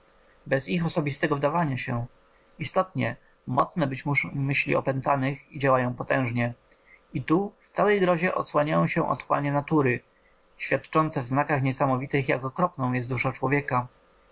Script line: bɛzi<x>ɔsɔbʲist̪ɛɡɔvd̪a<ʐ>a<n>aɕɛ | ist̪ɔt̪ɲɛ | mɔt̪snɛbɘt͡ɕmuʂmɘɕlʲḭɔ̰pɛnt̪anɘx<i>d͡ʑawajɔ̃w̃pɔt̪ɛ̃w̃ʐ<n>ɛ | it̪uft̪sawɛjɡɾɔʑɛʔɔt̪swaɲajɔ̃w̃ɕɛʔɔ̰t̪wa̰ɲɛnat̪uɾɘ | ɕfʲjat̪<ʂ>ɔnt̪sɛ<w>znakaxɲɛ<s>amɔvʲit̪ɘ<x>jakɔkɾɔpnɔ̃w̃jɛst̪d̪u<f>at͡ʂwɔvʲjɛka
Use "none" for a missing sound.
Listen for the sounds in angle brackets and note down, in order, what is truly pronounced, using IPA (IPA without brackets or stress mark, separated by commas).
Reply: x, v, ɲ, i, ɲ, t͡ʂ, v, s, x, ʂ